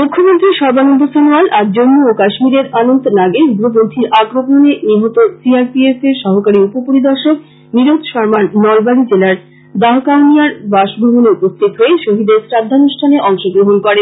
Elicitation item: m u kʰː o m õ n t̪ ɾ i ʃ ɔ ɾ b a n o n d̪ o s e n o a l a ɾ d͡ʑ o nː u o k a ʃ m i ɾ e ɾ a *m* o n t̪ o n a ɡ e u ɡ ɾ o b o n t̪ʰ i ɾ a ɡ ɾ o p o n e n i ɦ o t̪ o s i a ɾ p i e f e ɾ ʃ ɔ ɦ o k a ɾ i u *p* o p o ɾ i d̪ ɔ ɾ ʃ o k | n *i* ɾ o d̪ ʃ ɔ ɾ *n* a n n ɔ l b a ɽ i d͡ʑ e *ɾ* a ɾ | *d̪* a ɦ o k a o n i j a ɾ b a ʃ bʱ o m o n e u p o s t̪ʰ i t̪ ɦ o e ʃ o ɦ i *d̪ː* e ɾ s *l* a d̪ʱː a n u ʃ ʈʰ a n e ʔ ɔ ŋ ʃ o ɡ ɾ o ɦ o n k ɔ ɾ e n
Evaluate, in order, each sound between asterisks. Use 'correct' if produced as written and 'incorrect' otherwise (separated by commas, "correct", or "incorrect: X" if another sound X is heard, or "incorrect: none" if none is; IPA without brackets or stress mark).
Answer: incorrect: n, correct, correct, incorrect: m, incorrect: l, correct, incorrect: d̪, incorrect: ɾ